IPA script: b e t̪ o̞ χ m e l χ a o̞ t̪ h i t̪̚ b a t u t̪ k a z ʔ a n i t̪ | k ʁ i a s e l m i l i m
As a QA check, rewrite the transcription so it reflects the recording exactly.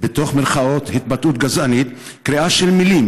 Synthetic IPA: b e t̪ o̞ χ m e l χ a o̞ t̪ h i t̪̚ b a t u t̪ ɡ a z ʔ a n i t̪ | k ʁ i a ʃ e l m i l i m